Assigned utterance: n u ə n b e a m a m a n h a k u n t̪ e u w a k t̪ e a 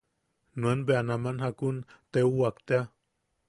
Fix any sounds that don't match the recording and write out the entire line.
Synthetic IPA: n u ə n b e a n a m a n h a k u n t̪ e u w a k t̪ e a